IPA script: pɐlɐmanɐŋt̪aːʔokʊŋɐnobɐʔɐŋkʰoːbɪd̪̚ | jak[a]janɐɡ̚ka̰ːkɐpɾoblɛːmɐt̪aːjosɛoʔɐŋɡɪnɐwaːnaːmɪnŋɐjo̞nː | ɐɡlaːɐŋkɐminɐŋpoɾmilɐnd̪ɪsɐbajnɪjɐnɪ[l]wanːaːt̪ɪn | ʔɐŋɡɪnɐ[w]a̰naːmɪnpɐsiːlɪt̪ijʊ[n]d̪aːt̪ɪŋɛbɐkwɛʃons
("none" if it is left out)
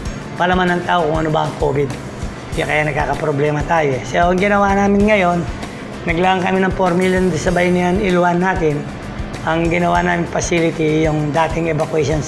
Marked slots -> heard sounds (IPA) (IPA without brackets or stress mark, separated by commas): ɐ, l, w, ŋ